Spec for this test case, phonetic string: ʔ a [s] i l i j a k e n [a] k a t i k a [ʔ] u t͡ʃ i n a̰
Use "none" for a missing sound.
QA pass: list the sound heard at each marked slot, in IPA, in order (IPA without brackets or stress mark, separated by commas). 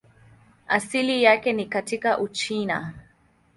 s, i, ʔ